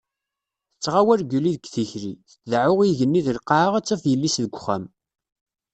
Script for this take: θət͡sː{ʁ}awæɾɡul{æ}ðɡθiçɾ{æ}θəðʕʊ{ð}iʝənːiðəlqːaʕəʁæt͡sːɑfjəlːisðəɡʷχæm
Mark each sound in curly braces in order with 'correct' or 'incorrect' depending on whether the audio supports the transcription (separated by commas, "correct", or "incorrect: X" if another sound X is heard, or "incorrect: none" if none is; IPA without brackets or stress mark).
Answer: correct, incorrect: i, incorrect: i, incorrect: ʁ